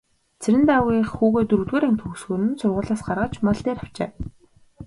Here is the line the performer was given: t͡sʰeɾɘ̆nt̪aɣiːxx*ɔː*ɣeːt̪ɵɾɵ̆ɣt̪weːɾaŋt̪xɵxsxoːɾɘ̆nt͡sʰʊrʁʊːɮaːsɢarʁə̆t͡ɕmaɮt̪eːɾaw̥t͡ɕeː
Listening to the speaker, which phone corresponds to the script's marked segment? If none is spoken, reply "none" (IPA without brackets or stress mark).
uː